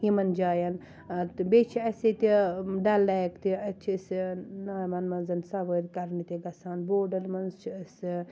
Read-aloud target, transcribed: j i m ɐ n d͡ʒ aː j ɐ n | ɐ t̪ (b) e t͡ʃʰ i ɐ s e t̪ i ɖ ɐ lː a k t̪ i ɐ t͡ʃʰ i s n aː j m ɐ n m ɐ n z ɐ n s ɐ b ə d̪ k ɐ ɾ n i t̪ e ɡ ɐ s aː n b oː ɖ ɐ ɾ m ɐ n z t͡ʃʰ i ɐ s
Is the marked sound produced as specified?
yes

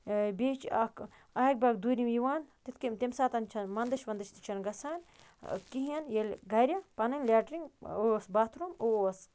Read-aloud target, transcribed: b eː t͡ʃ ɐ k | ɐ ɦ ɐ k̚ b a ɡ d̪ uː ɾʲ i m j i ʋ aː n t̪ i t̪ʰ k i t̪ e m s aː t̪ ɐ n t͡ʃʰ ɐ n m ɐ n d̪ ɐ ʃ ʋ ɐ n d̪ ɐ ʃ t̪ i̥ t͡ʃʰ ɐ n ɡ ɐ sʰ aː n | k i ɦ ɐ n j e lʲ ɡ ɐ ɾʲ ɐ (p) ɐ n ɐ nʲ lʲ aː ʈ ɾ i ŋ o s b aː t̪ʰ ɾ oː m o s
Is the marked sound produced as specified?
yes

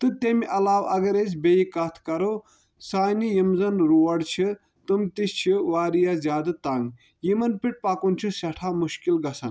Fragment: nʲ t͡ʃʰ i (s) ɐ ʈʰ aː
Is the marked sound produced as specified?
yes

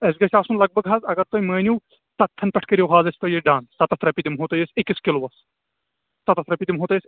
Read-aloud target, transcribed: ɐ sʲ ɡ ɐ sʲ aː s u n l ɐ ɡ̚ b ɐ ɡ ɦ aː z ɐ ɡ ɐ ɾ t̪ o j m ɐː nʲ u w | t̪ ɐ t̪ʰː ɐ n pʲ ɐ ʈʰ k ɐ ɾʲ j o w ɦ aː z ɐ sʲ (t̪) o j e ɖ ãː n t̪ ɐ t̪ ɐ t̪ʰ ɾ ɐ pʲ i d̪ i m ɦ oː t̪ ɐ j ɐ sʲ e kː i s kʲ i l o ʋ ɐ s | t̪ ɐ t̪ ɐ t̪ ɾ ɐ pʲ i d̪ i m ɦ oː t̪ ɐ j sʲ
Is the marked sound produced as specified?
yes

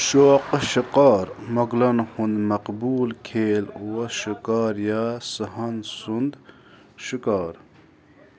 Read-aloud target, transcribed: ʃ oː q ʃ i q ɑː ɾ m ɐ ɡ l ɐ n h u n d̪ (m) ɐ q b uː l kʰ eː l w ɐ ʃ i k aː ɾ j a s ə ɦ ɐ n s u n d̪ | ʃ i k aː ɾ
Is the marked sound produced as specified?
yes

